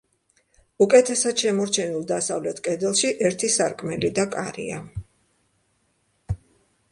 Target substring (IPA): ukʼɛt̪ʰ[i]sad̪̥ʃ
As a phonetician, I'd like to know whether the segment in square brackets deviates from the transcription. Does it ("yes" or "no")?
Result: yes